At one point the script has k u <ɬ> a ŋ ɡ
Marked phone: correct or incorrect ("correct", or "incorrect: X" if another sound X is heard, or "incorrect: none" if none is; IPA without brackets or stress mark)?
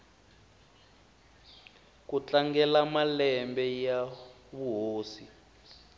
incorrect: t͡ɬ